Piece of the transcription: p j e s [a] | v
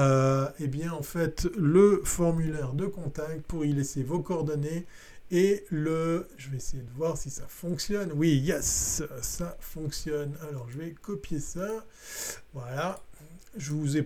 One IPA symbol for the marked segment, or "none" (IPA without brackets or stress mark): a